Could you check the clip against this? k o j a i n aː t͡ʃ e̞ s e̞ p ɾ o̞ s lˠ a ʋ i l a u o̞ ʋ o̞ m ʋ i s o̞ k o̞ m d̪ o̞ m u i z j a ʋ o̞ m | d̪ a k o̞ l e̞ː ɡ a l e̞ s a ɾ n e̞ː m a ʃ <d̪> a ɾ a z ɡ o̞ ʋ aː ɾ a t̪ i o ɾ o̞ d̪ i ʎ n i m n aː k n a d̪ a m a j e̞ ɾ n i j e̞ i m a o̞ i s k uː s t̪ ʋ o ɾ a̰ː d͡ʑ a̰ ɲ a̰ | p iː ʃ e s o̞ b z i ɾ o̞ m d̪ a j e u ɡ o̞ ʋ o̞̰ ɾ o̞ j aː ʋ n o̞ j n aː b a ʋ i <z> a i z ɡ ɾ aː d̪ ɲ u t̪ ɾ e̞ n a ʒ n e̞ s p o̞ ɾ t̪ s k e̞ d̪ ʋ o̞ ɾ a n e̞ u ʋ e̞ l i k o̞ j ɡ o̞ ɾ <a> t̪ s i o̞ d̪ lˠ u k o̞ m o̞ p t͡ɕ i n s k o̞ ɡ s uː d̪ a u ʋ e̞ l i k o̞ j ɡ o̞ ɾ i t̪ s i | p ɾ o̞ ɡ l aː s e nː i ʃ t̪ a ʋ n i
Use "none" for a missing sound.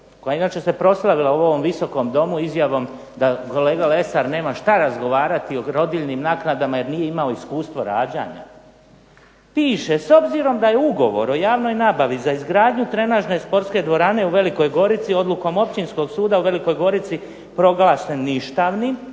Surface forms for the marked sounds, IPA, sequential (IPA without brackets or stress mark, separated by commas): t̪, z, i